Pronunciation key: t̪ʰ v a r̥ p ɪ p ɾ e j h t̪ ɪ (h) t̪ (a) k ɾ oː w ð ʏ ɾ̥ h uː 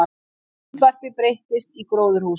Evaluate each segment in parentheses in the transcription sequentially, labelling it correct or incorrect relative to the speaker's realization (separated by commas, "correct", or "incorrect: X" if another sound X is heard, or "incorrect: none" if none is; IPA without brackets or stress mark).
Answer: incorrect: s, incorrect: i